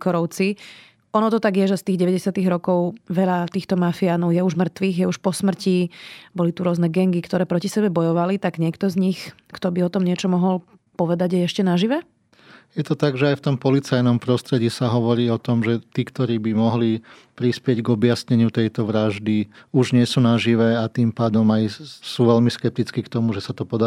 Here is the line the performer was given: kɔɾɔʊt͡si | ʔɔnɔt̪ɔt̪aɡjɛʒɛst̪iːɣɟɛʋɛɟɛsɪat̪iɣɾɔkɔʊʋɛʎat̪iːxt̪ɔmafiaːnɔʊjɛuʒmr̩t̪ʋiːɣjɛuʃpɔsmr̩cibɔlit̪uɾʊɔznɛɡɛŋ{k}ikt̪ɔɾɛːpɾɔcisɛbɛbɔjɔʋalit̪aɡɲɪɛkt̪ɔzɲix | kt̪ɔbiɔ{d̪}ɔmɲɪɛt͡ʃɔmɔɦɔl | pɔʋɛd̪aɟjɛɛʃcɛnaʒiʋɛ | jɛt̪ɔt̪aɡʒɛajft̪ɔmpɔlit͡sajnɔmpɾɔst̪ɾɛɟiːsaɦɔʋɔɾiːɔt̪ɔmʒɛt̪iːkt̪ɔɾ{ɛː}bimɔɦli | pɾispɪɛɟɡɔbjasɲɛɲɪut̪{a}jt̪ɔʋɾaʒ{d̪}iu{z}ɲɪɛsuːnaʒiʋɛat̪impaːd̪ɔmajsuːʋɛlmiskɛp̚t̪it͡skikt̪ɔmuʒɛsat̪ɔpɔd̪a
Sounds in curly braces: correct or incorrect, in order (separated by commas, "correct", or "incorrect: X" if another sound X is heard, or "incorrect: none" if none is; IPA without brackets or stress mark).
incorrect: ɡ, incorrect: t̪, incorrect: iː, incorrect: ɛ, correct, incorrect: ʒ